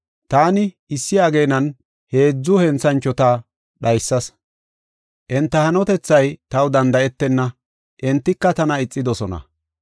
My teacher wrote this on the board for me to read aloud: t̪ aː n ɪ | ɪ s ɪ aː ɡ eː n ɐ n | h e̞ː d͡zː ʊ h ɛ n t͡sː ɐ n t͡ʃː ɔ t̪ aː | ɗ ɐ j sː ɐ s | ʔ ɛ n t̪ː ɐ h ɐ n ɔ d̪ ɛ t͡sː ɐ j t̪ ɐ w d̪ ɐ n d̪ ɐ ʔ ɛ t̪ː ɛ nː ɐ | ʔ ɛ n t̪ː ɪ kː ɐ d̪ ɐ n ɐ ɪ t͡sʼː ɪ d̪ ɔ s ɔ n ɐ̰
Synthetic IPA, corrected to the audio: t̪ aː n ɪ | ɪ sː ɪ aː ɡ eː n ɐ n | h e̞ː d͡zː ʊ h ɛ n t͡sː ɐ n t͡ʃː ɔ t̪ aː | ɗ ɐ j sː ɐ s | ʔ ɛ n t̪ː ɐ h ɐ n ɔ t̪ ɛ t͡sː ɐ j t̪ ɐ w d̪ ɐ n d̪ ɐ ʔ ɛ t̪ː ɛ nː ɐ | ʔ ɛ n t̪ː ɪ kː ɐ t̪ ɐ n ɐ ɪ t͡sʼː ɪ d̪ ɔ s ɔ n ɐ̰